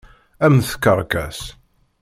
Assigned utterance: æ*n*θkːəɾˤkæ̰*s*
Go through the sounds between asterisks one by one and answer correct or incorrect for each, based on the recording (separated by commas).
incorrect, correct